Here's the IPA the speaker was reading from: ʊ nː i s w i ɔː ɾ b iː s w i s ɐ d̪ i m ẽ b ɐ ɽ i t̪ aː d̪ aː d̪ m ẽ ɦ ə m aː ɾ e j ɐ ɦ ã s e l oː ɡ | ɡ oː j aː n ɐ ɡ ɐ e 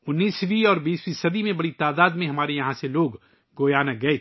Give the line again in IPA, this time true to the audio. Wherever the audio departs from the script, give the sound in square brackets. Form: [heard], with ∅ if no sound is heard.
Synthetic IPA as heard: ʊ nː [iː] s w i ɔː ɾ b iː s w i s ɐ d̪ i m ẽ b ɐ ɽ i t̪ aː d̪ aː d̪ m ẽ ɦ [ɐ] m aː ɾ e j ɐ ɦ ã s e l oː ɡ | ɡ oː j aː n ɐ ɡ ɐ e